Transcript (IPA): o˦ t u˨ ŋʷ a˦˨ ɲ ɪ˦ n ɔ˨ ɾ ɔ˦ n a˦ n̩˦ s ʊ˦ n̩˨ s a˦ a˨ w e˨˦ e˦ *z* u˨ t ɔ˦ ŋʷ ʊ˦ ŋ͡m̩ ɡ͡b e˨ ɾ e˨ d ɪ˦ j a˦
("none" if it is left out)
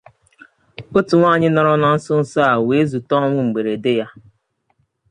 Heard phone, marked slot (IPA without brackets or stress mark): z